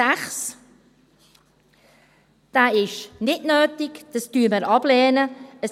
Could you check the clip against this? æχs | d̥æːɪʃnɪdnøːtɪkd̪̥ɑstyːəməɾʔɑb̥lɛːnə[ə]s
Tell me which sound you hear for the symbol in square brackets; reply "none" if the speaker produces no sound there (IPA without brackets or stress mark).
ə